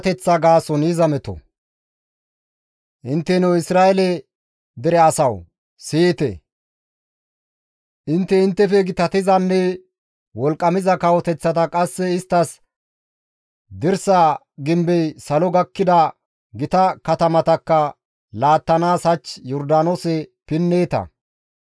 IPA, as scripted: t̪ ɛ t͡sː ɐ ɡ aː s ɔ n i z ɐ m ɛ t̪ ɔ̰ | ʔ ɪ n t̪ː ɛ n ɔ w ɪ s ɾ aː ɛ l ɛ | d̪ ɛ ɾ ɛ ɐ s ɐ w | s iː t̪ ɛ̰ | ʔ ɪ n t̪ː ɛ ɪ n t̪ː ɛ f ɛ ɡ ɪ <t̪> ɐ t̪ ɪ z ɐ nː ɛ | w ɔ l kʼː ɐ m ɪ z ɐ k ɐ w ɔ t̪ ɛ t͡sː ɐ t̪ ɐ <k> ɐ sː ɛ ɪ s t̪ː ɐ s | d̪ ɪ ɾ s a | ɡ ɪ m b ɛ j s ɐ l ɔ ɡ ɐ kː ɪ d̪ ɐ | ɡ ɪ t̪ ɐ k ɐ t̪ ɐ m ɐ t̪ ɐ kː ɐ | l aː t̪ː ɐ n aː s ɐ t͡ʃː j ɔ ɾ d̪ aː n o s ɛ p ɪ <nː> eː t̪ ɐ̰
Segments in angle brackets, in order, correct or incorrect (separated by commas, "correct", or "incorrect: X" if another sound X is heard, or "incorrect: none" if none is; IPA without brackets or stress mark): correct, incorrect: kʼ, correct